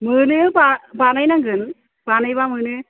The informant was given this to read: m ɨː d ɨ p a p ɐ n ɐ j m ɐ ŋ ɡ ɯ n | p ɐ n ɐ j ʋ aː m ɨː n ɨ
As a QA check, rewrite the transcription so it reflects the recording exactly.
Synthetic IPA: m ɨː n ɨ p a p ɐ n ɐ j n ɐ ŋ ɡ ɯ n | p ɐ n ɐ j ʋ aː m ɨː n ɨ